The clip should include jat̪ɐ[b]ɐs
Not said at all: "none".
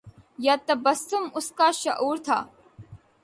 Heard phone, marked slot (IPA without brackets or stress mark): b